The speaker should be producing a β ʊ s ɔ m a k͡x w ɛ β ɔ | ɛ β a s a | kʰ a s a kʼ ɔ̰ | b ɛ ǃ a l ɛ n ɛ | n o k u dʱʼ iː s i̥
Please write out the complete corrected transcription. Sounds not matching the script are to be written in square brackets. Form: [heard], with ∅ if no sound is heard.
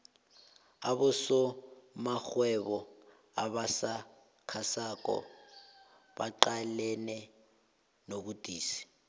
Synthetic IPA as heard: a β ʊ s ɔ m a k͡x w ɛ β ɔ | [a] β a s a | kʰ a s a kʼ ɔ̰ | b [a] ǃ a l ɛ n ɛ | n o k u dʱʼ iː s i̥